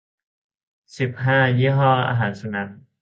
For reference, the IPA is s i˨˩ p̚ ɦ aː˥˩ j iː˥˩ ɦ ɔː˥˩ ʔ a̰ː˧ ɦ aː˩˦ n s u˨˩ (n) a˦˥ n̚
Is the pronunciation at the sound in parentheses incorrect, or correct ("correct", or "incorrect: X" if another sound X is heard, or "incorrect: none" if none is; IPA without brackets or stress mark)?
correct